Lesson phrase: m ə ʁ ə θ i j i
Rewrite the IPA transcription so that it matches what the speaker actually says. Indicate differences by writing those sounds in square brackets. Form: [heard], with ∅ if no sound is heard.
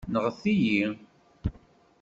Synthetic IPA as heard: [n] ə ʁ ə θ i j i